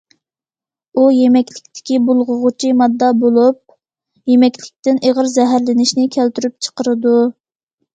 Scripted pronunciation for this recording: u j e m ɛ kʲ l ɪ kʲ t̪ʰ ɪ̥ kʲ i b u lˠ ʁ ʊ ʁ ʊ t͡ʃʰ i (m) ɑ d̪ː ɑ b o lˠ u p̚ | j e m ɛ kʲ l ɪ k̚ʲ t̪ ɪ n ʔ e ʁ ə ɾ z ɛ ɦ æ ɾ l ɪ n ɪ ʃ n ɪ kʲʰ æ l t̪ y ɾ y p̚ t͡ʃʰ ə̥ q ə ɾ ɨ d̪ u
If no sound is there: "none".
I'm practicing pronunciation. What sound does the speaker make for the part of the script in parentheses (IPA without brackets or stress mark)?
m